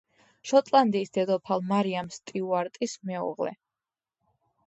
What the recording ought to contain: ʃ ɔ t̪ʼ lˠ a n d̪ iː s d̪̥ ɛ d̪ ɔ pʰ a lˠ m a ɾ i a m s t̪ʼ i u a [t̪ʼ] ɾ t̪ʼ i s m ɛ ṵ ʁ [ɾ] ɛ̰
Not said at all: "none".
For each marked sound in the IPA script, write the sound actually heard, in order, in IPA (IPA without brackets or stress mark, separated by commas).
none, l